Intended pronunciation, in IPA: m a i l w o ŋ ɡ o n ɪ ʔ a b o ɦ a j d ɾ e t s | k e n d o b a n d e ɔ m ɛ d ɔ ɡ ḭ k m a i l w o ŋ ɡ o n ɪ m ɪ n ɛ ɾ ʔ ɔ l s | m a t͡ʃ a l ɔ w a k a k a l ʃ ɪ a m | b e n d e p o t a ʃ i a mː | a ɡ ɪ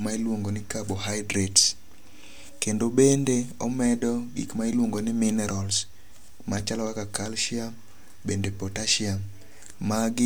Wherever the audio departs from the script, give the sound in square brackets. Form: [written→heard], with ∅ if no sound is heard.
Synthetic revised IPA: m a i l w o ŋ ɡ o n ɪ [ʔ→k] a b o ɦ a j d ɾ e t s | k e n d o b [a→e] n d e ɔ m ɛ d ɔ ɡ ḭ k m a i l w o ŋ ɡ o n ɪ m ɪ n ɛ ɾ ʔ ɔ l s | m a t͡ʃ a l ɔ w a k a k a l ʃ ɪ a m | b e n d e p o t a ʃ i a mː | a ɡ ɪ